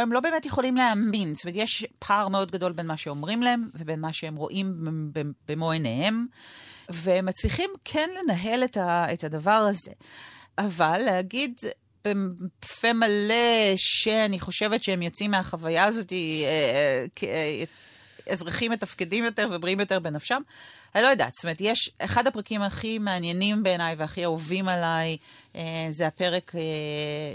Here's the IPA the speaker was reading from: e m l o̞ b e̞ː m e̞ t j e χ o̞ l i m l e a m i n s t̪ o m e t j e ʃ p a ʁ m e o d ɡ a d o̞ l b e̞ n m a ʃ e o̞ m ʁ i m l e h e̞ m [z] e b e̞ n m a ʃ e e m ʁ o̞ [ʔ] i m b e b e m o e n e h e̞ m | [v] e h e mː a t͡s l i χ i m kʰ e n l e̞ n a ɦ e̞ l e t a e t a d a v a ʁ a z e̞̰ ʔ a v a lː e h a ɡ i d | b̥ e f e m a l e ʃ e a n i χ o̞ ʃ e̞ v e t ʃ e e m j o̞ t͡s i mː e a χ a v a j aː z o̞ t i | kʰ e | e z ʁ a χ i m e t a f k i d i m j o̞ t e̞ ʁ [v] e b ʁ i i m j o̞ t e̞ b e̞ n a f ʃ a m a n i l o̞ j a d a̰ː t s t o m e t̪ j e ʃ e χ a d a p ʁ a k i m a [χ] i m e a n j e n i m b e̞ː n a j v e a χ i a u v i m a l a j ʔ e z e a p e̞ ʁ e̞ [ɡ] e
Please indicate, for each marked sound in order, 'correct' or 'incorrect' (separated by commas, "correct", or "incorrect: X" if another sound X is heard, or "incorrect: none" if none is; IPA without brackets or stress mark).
incorrect: v, correct, correct, correct, correct, incorrect: k